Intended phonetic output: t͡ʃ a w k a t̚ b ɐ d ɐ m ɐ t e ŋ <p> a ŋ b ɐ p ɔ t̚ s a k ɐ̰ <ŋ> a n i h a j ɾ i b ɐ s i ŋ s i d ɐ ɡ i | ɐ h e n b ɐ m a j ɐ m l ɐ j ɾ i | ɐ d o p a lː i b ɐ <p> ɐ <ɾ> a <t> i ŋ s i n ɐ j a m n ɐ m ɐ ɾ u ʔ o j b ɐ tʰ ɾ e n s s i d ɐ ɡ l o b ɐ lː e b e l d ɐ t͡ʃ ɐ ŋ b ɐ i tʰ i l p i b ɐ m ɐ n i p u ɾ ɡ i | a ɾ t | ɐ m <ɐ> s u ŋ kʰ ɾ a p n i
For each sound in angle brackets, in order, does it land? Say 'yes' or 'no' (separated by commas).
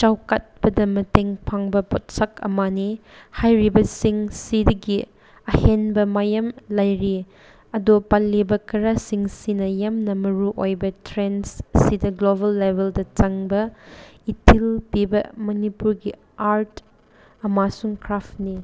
no, no, no, yes, no, no